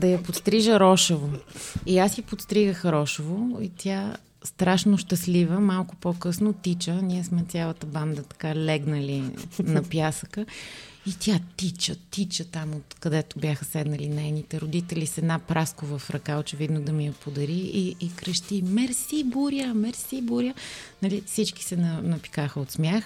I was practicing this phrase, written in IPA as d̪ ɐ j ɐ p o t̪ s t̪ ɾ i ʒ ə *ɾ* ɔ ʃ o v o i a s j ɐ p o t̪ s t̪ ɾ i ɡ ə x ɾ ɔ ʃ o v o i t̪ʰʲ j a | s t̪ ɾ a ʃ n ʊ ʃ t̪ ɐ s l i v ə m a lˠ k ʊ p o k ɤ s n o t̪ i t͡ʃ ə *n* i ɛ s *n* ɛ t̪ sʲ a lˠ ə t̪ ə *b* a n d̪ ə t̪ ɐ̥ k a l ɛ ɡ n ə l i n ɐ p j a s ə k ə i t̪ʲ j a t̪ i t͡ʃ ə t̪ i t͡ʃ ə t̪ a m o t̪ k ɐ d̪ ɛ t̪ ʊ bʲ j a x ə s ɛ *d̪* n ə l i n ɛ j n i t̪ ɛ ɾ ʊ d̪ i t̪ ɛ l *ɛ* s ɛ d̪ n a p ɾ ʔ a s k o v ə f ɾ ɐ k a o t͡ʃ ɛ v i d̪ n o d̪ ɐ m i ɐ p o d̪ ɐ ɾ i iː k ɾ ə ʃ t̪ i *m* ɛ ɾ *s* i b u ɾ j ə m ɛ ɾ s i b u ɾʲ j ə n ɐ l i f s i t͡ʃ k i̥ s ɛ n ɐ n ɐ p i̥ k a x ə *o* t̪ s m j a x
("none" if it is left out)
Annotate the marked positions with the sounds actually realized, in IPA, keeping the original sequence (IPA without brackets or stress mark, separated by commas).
ɾ, n, m, b, d̪, i, m, s, o